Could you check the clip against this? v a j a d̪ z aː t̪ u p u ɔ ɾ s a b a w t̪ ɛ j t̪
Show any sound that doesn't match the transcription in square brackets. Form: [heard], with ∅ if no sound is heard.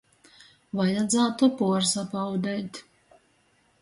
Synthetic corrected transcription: v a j a d̪ z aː t̪ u p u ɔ ɾ s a [p] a w [d̪] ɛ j t̪